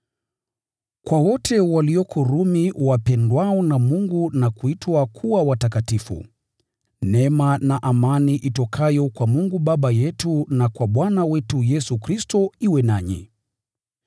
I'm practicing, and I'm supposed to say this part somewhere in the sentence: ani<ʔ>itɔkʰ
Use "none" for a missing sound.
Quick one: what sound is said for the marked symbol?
ʔ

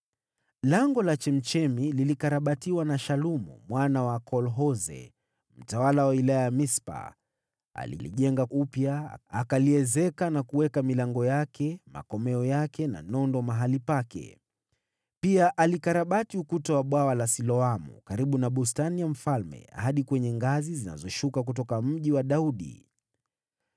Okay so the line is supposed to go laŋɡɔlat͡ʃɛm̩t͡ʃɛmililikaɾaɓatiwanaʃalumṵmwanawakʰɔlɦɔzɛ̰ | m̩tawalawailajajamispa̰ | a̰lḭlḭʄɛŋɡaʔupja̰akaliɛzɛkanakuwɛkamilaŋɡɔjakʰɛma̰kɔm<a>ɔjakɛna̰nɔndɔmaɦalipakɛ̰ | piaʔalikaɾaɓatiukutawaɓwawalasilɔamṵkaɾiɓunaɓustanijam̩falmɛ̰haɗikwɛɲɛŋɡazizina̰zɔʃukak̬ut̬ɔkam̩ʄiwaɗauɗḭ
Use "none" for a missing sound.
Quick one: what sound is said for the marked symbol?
ɛ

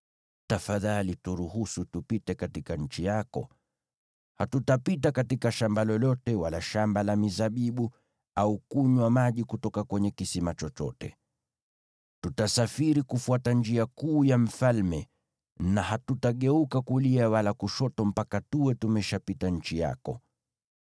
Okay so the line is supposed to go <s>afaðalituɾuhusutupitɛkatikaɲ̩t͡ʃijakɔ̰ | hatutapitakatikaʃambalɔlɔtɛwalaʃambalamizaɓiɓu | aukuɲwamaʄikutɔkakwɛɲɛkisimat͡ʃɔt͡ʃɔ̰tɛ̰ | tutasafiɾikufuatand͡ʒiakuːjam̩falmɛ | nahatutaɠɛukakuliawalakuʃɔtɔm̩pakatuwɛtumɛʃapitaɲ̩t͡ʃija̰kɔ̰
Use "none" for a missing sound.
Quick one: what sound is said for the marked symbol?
t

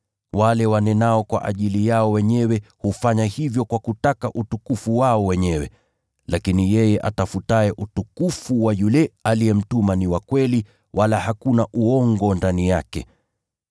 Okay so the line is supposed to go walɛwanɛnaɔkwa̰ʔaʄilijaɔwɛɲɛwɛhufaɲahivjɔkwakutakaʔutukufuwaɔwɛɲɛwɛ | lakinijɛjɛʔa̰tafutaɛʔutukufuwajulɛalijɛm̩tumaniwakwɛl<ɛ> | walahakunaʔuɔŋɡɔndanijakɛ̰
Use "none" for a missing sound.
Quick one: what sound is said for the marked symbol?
i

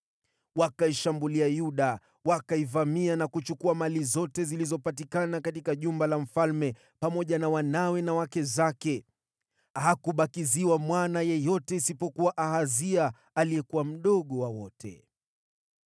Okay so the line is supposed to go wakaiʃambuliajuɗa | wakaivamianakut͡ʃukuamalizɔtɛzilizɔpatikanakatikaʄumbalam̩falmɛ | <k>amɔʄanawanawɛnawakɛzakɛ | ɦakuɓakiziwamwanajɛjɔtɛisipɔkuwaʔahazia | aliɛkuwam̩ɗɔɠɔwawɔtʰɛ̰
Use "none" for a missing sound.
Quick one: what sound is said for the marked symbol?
p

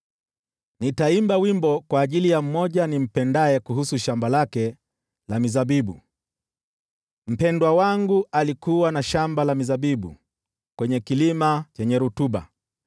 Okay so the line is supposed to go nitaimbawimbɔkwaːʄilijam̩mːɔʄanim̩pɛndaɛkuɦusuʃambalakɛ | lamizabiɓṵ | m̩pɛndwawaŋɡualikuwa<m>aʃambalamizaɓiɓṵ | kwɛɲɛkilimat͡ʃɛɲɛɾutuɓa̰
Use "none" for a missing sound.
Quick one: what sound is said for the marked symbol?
n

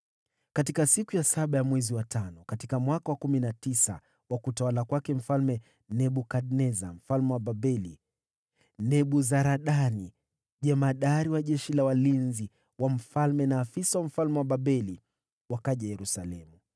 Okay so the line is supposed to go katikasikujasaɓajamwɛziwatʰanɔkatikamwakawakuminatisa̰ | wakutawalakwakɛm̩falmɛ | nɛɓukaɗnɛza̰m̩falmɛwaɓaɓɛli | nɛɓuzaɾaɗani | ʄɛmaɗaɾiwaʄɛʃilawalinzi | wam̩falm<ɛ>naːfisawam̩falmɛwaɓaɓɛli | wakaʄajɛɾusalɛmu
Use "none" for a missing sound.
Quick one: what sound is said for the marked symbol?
ɛ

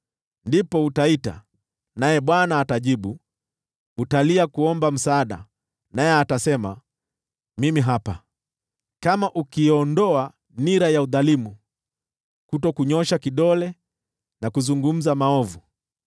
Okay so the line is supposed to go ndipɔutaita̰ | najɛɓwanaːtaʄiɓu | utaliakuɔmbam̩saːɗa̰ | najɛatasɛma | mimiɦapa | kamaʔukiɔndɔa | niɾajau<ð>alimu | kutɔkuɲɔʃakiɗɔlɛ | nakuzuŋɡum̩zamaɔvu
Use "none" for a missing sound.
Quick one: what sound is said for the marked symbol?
ð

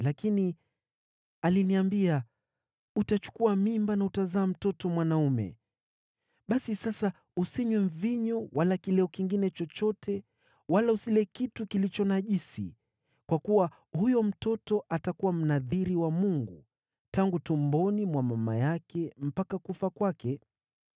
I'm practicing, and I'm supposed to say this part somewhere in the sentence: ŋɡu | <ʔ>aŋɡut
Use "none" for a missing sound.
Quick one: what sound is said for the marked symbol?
t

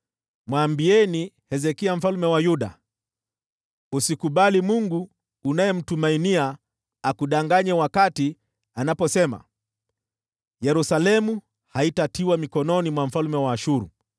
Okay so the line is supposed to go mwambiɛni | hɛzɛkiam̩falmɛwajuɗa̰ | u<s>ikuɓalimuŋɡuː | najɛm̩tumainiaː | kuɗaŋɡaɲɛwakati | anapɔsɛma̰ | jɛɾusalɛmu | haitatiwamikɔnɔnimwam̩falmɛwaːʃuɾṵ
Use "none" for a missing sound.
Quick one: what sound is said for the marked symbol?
s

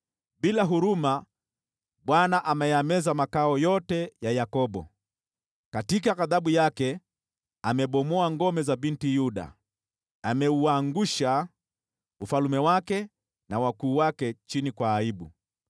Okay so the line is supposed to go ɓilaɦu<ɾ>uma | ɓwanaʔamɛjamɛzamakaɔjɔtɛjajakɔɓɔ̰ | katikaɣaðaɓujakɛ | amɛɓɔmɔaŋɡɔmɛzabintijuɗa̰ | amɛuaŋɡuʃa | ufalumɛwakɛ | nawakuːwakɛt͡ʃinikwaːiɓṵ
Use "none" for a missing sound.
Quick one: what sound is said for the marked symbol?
ɾ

